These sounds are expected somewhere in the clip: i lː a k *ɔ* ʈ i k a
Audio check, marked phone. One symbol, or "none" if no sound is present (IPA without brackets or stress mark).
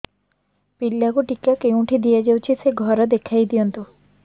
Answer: u